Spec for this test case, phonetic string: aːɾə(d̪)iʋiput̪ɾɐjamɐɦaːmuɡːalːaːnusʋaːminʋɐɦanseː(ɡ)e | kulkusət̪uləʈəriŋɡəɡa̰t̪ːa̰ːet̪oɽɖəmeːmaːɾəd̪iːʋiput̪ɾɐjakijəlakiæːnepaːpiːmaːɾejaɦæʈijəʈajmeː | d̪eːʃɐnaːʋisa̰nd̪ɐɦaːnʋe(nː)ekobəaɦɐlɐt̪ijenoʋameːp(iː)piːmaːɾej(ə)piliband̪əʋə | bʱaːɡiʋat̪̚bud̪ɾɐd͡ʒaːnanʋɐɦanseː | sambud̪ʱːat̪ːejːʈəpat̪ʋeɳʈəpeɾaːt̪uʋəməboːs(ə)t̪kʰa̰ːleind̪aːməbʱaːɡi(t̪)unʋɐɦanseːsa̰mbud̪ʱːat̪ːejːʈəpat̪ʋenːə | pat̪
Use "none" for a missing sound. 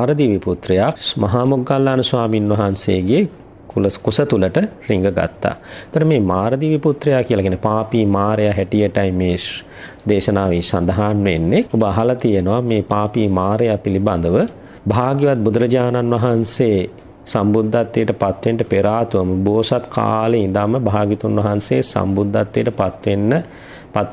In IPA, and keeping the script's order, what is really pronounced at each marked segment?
d̪, ɡ, nː, aː, a, a, t̪

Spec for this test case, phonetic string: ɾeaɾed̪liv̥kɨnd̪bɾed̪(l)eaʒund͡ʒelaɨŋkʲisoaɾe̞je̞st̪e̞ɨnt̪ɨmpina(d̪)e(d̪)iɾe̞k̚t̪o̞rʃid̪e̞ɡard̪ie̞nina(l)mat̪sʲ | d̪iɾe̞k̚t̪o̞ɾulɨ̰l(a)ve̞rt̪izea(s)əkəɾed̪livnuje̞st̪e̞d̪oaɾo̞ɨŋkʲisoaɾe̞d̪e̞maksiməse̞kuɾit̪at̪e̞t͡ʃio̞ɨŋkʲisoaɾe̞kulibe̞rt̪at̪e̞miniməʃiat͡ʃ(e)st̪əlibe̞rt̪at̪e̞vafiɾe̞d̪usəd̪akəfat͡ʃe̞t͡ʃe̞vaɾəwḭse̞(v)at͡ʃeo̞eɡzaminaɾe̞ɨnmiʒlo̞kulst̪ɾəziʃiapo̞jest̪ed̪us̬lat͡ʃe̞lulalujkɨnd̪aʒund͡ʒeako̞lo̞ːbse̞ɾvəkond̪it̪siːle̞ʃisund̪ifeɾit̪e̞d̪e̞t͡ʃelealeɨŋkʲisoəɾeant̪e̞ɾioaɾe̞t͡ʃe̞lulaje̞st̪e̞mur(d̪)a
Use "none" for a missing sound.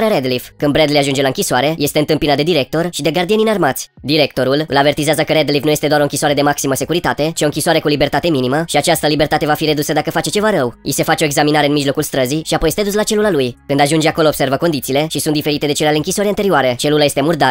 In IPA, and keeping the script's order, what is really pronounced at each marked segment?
l, d̪, d̪, r, a, z, a, f, d̪

